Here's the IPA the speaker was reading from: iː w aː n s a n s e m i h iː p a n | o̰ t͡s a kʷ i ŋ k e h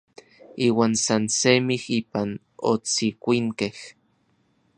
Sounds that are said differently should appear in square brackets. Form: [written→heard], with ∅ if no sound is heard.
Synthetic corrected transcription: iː w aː n s a n s e m i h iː p a n | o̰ t͡s [a→i] kʷ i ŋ k e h

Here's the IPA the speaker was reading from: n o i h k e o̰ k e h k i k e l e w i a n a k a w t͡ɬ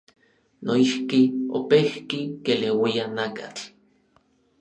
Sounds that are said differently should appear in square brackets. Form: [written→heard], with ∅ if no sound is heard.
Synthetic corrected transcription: n o i h k [e→i] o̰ [k→p] e h k i k e l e w i a n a k a [w→∅] t͡ɬ

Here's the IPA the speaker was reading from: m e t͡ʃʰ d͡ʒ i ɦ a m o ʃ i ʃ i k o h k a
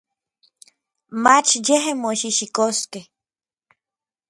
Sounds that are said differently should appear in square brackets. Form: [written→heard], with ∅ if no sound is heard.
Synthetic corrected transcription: m [e→a] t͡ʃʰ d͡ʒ [i→e] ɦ [a→e] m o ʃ i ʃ i k o [h→s] k [a→e]

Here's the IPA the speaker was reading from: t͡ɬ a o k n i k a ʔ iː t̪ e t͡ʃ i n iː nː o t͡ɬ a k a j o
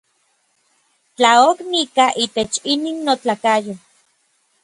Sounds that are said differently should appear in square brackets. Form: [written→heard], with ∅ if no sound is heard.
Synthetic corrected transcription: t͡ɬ a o k n i k a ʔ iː t̪ e t͡ʃ i n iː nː o t͡ɬ a k a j o

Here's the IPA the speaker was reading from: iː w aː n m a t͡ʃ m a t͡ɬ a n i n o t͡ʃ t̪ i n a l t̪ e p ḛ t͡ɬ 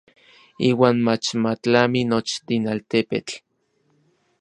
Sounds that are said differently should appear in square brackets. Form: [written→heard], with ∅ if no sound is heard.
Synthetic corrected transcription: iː w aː n m a t͡ʃ m a t͡ɬ a [n→m] i n o t͡ʃ t̪ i n a l t̪ e p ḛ t͡ɬ

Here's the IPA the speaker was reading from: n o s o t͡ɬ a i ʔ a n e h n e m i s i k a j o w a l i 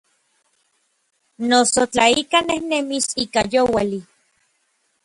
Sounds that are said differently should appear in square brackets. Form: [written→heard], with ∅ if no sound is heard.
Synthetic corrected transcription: n o s o t͡ɬ a i [ʔ→k] a n e h n e m i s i k a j o w a l i

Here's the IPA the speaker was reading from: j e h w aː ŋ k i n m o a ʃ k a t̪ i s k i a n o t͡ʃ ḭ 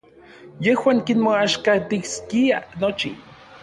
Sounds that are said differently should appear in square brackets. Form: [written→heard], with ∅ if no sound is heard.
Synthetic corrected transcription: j e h w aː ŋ k i n m o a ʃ k a t̪ i s k i a n o t͡ʃ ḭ

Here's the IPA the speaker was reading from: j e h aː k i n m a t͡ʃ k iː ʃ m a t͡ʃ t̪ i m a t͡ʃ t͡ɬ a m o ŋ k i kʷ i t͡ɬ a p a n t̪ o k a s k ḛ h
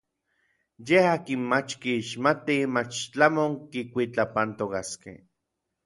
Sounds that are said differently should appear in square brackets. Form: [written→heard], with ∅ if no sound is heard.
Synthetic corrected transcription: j e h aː k i n m a t͡ʃ k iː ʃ m a [t͡ʃ→∅] t̪ i m a t͡ʃ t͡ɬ a m o ŋ k i kʷ i t͡ɬ a p a n t̪ o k a s k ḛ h

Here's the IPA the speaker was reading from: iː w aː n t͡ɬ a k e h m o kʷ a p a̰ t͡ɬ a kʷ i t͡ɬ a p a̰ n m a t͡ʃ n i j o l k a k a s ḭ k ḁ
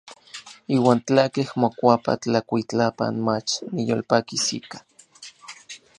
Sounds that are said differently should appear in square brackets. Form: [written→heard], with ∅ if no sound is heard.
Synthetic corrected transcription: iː w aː n t͡ɬ a k e h m o kʷ a p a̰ t͡ɬ a kʷ i t͡ɬ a p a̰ n m a t͡ʃ n i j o l [k→p] a k [a→i] s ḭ k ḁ

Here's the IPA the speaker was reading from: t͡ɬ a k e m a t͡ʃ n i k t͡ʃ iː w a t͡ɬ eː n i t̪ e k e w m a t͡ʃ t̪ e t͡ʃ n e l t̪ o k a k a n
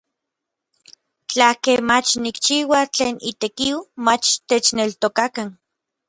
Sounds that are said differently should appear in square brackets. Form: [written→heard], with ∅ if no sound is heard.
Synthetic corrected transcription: t͡ɬ a k e m a t͡ʃ n i k t͡ʃ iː w a t͡ɬ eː n i t̪ e k [e→i] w m a t͡ʃ t̪ e t͡ʃ n e l t̪ o k a k a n

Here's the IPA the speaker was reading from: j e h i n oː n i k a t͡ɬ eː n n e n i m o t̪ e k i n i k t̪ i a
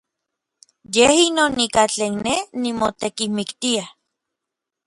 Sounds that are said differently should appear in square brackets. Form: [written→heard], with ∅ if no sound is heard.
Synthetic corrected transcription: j e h i n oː n i k a t͡ɬ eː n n e n i m o t̪ e k i [n→m] i k t̪ i a

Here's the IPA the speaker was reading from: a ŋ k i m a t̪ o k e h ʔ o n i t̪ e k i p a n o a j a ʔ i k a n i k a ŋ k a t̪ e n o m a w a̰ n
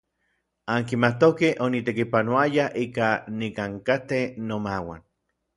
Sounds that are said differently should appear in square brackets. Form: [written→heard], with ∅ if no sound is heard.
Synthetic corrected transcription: a ŋ k i m a t̪ o k e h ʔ o n i t̪ e k i p a n o a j a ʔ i k a n i k a ŋ k a t̪ e n o m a w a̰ n

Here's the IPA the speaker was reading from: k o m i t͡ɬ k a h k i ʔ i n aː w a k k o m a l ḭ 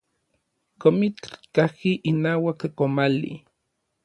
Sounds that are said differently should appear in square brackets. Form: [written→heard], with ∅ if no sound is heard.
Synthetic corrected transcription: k o m i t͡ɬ k a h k i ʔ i n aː w a k k o m a l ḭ

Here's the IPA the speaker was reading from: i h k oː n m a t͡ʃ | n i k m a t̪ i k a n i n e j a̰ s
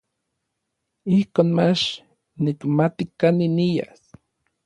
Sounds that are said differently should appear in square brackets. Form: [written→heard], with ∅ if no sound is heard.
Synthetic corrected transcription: i h k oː n m a t͡ʃ | n i k m a t̪ i k a n i n [e→i] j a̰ s

